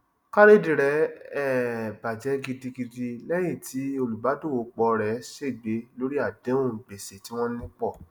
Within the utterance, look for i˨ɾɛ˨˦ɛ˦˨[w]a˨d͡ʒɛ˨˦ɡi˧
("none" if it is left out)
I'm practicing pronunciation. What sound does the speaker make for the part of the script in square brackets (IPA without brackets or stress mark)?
b